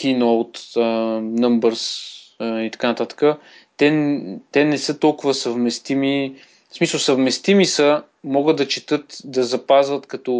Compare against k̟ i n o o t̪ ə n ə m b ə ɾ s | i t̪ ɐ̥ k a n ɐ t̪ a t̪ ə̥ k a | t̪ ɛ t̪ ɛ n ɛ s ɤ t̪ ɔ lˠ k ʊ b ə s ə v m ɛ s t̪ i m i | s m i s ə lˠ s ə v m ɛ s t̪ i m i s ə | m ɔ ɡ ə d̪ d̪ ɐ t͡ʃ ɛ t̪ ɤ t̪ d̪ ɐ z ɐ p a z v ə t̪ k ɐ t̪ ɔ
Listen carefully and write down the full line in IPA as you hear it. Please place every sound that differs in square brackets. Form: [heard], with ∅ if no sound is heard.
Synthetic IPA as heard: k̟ i n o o t̪ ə n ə m b ə ɾ s | i t̪ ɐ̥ k a n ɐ t̪ a t̪ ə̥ k [ə] | t̪ ɛ t̪ ɛ n ɛ s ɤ t̪ ɔ lˠ k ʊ [v] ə s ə v m ɛ s t̪ i m i | s m i s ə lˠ s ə v m ɛ s t̪ i m i s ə | m ɔ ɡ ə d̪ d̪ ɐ t͡ʃ ɛ t̪ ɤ t̪ d̪ ɐ z ɐ p a z v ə t̪ k ɐ t̪ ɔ